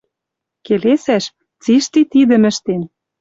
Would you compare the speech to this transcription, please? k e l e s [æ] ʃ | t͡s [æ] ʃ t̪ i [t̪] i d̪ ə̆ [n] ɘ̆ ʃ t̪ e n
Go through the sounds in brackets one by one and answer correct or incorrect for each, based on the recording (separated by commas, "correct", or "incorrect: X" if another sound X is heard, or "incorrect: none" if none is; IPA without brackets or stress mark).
correct, incorrect: i, correct, incorrect: m